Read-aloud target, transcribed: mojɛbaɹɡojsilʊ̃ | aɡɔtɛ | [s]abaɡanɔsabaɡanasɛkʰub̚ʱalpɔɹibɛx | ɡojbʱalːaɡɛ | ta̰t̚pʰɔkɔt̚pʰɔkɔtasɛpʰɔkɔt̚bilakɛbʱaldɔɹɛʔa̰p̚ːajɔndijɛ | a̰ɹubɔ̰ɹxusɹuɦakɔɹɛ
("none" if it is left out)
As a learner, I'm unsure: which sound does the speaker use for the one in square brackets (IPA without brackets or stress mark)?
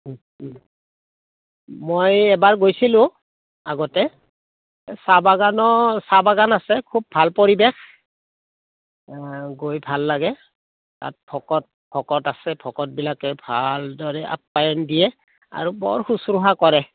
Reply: s